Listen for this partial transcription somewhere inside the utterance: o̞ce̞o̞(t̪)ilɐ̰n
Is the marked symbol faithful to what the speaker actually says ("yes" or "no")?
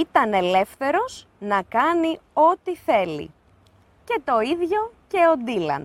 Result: no